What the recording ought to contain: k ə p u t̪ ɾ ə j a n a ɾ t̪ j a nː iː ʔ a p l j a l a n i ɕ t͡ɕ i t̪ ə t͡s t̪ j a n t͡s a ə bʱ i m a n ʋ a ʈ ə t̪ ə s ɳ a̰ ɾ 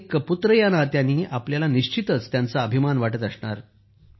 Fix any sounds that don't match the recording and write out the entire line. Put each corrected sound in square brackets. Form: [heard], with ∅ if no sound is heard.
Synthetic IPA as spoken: k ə p u t̪ ɾ ə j a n a ɾ t̪ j a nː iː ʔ a p l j a l a n i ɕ t͡ɕ i t̪ ə t͡s t̪ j a n t͡s a ə bʱ i m a n ʋ a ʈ ə t̪ ə s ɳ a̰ ɾ